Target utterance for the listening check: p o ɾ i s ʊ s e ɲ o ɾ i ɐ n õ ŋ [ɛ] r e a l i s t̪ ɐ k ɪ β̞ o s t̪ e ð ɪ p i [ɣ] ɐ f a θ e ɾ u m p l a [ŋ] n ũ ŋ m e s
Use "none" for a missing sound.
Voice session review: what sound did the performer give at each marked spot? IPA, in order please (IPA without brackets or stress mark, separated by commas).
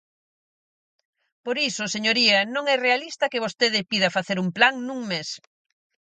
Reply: ɛ, ð, ŋ